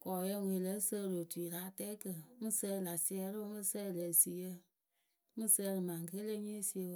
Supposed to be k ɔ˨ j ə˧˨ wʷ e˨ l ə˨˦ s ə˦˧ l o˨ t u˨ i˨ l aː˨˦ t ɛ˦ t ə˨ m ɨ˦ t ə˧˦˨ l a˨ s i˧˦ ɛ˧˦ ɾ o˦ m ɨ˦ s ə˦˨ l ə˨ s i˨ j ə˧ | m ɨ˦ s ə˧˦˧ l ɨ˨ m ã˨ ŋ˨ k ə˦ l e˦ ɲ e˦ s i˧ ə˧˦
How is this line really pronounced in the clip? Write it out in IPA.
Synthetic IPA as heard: k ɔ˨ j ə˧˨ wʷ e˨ l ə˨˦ s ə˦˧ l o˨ t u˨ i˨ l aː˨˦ t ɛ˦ k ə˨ m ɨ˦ s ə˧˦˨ l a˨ s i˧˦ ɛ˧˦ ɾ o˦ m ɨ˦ s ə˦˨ l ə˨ s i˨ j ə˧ | m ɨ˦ s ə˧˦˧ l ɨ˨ m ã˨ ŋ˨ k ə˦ l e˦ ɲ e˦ s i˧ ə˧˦